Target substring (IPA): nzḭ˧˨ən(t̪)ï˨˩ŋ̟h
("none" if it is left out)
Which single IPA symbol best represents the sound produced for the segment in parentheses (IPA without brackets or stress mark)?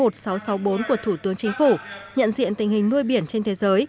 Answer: t̪